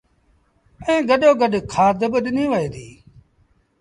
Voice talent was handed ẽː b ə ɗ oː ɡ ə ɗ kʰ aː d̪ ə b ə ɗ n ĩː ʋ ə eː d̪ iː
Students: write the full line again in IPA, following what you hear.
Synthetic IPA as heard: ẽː ɡ ə ɗ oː ɡ ə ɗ kʰ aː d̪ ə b ə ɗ n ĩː ʋ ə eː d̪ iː